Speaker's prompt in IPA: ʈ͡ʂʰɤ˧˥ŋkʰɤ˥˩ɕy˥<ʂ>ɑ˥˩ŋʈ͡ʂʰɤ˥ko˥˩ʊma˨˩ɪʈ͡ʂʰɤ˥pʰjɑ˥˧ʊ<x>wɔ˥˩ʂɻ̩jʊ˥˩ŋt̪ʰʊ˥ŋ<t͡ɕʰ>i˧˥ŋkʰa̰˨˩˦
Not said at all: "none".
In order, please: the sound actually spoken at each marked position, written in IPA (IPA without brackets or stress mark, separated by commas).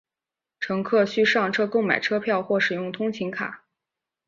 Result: ʂ, x, t͡ɕʰ